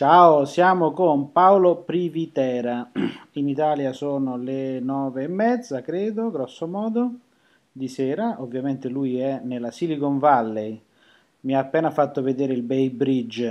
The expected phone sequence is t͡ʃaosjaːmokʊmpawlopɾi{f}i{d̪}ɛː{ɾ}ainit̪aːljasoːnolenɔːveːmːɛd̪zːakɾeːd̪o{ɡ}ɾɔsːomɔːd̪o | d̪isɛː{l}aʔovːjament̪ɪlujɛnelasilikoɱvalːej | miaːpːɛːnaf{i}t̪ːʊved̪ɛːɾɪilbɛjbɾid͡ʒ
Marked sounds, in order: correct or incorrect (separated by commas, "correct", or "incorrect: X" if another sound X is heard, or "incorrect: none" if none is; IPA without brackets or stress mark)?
incorrect: v, incorrect: t̪, correct, correct, incorrect: ɾ, incorrect: a